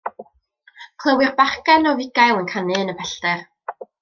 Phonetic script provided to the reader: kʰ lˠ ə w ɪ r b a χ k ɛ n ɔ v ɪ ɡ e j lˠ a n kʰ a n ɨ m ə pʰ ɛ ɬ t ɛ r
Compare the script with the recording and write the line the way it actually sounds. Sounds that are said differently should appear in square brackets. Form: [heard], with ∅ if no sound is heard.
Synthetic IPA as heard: kʰ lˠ ə w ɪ r b a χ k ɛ n ɔ v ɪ ɡ [a] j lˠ [ə] n kʰ a n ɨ [n] ə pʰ ɛ ɬ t ɛ r